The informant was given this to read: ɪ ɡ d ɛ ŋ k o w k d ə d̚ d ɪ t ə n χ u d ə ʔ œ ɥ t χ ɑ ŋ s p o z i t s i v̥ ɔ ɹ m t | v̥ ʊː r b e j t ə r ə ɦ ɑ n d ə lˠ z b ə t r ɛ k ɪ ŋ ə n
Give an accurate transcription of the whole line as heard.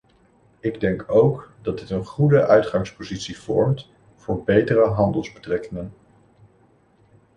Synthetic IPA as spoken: ɪ ɡ d ɛ ŋ k o w k d ɑ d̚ d ɪ t ə n χ u d ə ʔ œ ɥ t χ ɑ ŋ s p o z i t s i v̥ ɔ ɹ m t | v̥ ʊː ɹ b e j t ə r ə ɦ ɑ n d ə lˠ z b ə t r ɛ k ɪ ŋ ə n

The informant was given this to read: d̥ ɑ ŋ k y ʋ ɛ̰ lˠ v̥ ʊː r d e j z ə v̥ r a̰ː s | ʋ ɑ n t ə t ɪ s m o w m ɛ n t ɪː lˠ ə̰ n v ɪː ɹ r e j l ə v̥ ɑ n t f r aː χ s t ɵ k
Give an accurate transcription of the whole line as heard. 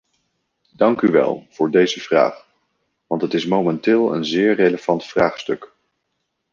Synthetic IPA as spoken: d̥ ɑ ŋ k y ʋ ɛ̰ lˠ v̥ ʊː ɹ d e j z ə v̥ r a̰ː χ | ʋ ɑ n t ə t ɪ s m o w m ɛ n t ɪː lˠ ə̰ n z ɪː ɹ r e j l ə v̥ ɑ n t f r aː χ s t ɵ k

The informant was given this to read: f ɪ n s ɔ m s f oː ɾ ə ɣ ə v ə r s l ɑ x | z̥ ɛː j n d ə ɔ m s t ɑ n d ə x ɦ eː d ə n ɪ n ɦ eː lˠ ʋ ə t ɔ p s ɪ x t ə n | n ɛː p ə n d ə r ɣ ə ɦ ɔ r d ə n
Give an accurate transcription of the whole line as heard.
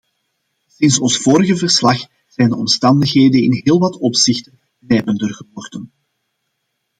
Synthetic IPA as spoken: s ɪ n s ɔ n s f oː ɾ ə ɣ ə v ə r s l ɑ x | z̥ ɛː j n d ə ɔ m s t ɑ n d ə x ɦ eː d ə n ɪ n ɦ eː lˠ ʋ ɑ t ɔ p s ɪ x t ə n | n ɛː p ə n d ə r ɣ ə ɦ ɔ r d ə n

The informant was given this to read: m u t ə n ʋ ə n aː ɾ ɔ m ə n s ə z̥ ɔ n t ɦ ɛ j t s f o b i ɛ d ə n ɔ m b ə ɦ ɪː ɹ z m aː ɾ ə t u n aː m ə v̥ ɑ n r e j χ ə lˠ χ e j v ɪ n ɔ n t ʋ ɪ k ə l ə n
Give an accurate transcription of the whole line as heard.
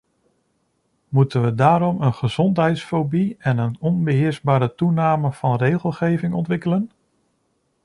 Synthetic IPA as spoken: m u t ə n ʋ ə d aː ɾ ɔ m ə n χ ə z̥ ɔ n t ɦ ɛ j t s f o b i ɛ n ə n ɔ n b ə ɦ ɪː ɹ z b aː ɾ ə t u n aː m ə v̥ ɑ n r e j χ ə lˠ χ e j v ɪ ŋ ɔ n t ʋ ɪ k ə l ə n

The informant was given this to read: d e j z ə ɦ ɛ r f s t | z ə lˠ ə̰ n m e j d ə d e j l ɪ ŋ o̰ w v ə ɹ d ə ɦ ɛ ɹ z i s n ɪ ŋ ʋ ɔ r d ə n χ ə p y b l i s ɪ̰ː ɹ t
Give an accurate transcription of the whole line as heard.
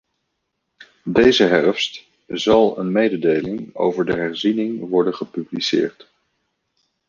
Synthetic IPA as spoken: d e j z ə ɦ ɛ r f s t | z ɑ lˠ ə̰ n m e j d ə d e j l ɪ ŋ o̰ w v ə ɹ d ə ɦ ɛ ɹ z i n ɪ ŋ ʋ ɔ ɹ d ə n χ ə p y b l i s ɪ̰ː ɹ t

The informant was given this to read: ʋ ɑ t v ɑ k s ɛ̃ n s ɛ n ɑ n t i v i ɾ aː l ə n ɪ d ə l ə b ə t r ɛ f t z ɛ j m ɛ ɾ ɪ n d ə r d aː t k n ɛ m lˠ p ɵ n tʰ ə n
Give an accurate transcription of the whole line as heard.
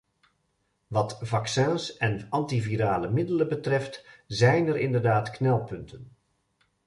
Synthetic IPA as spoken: ʋ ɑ t v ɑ k s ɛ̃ n s ɛ n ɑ n t i v i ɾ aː l ə m ɪ d ə l ə b ə t r ɛ f t z ɛ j n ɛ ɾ ɪ n d ə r d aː t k n ɛ lˠ p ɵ n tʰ ə n

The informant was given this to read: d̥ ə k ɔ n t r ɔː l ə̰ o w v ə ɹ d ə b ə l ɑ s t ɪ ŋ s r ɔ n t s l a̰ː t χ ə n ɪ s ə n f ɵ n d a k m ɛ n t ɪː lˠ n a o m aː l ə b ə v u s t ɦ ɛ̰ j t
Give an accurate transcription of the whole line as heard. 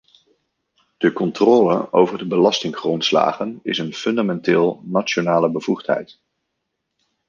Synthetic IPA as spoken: d̥ ə k ɔ n t r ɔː l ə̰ o w v ə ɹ d ə b ə l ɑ s t ɪ ŋ χ r ɔ n t s l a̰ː χ ə n ɪ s ə n f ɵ n d a m ɛ n t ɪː lˠ n a o n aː l ə b ə v u χ t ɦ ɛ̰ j t

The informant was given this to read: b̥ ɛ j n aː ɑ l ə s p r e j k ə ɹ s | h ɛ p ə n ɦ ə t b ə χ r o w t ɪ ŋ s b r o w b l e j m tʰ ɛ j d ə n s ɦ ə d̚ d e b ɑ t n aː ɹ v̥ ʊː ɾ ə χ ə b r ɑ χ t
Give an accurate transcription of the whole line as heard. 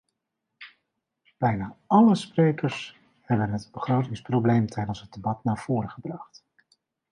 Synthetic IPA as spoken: b̥ ɛ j n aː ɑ l ə s p r e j k ə ɹ s | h ɛ b ə n ɦ ə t b ə χ r o w t ɪ ŋ s p r o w b l e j m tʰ ɛ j d ə n s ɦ ə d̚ d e b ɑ t n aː ɹ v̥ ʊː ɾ ə χ ə b r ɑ χ t

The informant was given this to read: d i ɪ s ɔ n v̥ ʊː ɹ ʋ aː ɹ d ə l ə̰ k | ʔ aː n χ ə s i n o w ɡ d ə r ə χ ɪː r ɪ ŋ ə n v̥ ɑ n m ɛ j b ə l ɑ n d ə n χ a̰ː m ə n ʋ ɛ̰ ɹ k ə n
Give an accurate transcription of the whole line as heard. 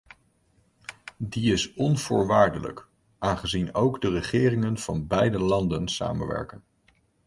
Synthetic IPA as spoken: d i ɪ s ɔ n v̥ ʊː ɹ ʋ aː ɹ d ə l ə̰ k | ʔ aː n χ ə z i n o w ɡ d ə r ə χ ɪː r ɪ ŋ ə n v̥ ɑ n b ɛ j d ə l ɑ n d ə n s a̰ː m ə n ʋ ɛ̰ ɹ k ə n

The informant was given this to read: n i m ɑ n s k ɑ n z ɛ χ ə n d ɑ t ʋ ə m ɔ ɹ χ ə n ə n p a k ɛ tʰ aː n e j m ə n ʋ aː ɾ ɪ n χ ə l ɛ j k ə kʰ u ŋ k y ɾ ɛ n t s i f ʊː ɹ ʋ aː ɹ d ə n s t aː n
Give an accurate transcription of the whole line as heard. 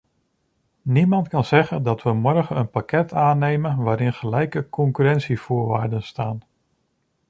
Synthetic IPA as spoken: n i m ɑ n t k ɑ n z ɛ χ ə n d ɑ t ʋ ə m ɔ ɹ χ ə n ə n p a k ɛ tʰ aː n e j m ə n ʋ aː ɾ ɪ n χ ə l ɛ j k ə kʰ ɔ ŋ k y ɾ ɛ n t s i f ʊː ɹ ʋ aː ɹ d ə n s t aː n

